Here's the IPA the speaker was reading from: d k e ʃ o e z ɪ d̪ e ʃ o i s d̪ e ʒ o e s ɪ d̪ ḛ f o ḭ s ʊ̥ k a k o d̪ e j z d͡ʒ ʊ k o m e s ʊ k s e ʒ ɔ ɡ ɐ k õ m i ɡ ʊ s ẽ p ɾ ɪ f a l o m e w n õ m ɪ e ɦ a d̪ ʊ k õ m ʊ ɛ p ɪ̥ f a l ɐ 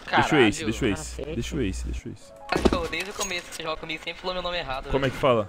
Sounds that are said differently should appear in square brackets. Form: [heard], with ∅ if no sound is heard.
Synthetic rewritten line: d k e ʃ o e [s] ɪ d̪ e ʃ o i s d̪ e [ʃ] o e s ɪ d̪ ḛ [ʃ] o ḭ s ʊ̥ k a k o d̪ e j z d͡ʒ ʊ k o m e s ʊ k s e ʒ ɔ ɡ ɐ k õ m i ɡ ʊ s ẽ p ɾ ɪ f a l o m e w n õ m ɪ e ɦ a d̪ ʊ k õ m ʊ ɛ [k] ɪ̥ f a l ɐ

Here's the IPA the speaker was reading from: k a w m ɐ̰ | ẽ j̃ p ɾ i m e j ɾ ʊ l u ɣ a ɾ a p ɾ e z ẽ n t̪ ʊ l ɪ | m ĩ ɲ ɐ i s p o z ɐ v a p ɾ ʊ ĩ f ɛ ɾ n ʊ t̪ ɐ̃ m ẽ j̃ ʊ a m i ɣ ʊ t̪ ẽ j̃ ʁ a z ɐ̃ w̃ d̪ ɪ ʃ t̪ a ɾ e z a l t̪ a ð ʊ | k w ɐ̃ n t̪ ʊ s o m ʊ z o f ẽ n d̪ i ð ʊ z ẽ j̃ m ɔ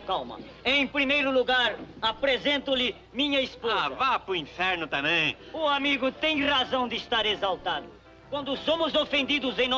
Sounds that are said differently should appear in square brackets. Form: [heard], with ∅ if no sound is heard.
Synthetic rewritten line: k a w m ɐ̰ | ẽ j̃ p ɾ i m e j ɾ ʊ l u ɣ a ɾ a p ɾ e z ẽ n t̪ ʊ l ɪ | m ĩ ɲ ɐ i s p o z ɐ v a p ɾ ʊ ĩ f ɛ ɾ n ʊ t̪ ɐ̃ m ẽ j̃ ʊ a m i ɣ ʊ t̪ ẽ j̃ ʁ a z ɐ̃ w̃ d̪ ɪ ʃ t̪ a ɾ e z a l t̪ a ð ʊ | k w ɐ̃ n [d̪] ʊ s o m ʊ z o f ẽ n d̪ i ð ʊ z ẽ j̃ [n] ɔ

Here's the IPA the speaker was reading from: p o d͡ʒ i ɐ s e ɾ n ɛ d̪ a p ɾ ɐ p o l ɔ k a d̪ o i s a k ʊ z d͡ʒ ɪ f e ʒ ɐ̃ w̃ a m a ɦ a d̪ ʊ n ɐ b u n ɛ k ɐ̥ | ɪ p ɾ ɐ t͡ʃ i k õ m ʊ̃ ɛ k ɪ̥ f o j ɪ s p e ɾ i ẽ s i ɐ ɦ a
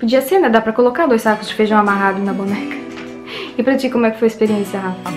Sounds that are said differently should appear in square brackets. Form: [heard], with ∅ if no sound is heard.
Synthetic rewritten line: p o d͡ʒ i ɐ s e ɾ n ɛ d̪ a p ɾ ɐ [k] o l [o] k a d̪ o [j] s a k ʊ z d͡ʒ ɪ f e ʒ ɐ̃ w̃ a m a ɦ a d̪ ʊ n ɐ b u n ɛ k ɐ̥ | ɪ p ɾ ɐ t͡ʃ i k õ m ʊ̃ ɛ k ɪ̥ f o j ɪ s p e ɾ i ẽ s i ɐ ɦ a

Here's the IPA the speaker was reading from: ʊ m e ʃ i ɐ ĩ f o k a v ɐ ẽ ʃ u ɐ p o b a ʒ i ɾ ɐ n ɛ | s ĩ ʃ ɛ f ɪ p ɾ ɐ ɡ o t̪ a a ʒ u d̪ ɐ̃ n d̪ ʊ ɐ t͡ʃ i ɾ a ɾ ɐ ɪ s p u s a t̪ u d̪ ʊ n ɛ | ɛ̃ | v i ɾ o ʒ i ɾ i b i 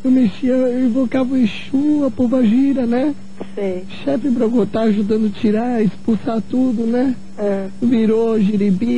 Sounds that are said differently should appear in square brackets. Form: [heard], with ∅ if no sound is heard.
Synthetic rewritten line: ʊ m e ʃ i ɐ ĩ [v] o k a v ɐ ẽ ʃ u ɐ p o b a ʒ i ɾ ɐ n ɛ | s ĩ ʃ ɛ f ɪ p ɾ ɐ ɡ o t̪ a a ʒ u d̪ ɐ̃ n d̪ ʊ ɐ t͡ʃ i ɾ a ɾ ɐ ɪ s p u s a t̪ u d̪ ʊ n ɛ | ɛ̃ | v i ɾ o ʒ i ɾ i b i

